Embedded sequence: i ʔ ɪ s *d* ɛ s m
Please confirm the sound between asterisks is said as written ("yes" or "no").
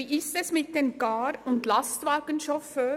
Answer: no